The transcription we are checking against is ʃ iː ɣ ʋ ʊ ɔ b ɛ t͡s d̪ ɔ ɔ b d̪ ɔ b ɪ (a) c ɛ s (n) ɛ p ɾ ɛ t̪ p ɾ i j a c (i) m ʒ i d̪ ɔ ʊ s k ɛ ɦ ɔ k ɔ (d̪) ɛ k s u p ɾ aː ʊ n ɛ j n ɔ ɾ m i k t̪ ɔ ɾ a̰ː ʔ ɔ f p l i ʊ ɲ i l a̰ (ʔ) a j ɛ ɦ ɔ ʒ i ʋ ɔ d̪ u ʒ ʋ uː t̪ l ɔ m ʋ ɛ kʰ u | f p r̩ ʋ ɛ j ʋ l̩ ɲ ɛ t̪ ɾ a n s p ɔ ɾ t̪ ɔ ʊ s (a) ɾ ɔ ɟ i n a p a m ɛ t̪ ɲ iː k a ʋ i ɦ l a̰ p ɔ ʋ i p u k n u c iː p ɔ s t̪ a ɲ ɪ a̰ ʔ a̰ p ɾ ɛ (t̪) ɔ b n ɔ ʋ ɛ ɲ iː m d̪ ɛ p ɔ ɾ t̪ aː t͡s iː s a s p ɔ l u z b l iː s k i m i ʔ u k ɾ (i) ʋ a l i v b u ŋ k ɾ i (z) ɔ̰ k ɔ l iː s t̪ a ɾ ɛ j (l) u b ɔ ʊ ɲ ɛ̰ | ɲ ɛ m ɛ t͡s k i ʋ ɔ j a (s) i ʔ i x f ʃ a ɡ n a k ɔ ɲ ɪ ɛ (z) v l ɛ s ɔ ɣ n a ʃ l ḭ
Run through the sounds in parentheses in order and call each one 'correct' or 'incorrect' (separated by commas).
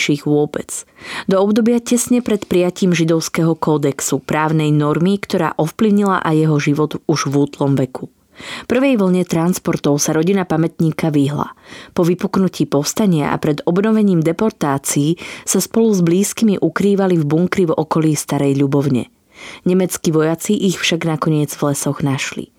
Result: correct, incorrect, incorrect, correct, correct, correct, incorrect, incorrect, incorrect, incorrect, incorrect, incorrect